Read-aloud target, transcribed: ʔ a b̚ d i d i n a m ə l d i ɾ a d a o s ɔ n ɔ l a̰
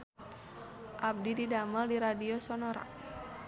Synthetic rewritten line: ʔ a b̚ d i d i d a m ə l d i ɾ a d i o s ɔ n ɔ ɾ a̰